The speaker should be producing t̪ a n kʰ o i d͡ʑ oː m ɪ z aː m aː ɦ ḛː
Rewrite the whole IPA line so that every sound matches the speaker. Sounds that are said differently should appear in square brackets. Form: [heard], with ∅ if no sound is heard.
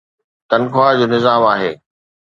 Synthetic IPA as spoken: t̪ [ɐ] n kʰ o [a] d͡ʑ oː [n] ɪ z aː m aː ɦ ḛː